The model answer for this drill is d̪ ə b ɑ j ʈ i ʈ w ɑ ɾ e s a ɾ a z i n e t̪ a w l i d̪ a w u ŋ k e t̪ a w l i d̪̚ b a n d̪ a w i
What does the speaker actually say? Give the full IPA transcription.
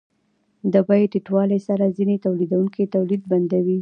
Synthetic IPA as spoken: d̪ ə b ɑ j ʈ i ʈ w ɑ l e s a ɾ a z i n e t̪ a w l i d̪ a w u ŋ k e t̪ a w l i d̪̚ b a n d̪ a w i